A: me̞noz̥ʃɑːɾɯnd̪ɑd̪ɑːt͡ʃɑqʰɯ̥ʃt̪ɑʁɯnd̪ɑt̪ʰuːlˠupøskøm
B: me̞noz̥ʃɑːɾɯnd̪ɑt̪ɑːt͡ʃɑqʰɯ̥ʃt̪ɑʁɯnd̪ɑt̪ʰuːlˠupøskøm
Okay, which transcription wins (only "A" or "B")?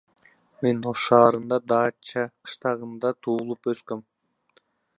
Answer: A